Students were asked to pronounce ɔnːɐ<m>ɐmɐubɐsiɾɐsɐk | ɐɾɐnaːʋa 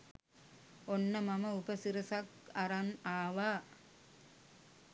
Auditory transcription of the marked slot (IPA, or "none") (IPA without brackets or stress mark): m